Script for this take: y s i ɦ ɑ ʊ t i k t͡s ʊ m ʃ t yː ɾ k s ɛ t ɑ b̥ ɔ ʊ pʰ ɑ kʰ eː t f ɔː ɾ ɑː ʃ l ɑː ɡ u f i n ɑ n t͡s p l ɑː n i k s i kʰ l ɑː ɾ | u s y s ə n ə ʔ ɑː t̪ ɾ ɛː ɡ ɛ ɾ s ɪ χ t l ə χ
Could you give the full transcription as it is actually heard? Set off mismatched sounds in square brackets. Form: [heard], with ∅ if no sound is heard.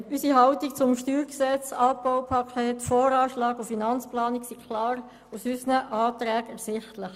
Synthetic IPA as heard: y s i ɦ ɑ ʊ t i k t͡s ʊ m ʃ t yː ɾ k s ɛ [t͡s] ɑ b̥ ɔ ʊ pʰ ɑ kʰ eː t f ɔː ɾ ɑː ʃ l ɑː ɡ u f i n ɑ n t͡s p l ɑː n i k s i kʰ l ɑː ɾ | u s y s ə n ə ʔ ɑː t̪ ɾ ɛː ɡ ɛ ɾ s ɪ χ t l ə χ